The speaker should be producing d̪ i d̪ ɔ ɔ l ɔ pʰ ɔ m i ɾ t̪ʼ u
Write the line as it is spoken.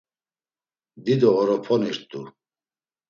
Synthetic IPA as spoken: d̪ i d̪ ɔ ɔ ɾ ɔ pʰ ɔ n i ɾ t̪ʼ u